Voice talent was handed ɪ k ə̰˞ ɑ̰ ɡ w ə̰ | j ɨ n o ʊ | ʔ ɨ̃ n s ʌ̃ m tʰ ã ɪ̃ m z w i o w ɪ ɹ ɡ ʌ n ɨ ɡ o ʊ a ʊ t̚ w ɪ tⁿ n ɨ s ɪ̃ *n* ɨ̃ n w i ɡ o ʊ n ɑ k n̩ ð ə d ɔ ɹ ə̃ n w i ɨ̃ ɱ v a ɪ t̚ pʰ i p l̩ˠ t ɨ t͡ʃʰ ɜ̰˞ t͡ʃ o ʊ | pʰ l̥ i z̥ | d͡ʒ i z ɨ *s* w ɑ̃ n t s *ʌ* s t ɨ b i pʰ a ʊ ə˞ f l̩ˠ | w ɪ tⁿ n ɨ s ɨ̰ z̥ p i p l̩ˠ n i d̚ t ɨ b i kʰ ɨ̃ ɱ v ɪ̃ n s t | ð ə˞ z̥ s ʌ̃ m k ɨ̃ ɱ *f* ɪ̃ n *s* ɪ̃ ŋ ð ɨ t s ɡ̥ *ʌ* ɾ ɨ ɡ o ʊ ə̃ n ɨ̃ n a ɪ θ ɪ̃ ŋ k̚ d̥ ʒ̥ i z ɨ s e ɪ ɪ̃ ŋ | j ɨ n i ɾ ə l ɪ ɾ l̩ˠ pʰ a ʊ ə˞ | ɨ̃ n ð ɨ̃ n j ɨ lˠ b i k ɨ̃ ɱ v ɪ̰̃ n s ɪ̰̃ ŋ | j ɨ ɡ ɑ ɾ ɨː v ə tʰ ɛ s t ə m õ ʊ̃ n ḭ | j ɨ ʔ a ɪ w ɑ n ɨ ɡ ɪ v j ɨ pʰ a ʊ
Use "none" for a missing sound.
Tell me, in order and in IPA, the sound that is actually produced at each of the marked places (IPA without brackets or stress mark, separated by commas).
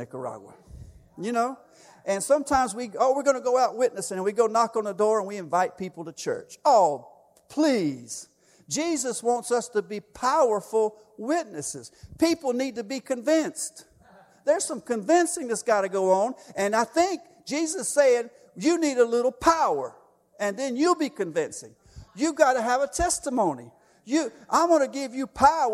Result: ŋ, s, ʌ, v, s, ɑ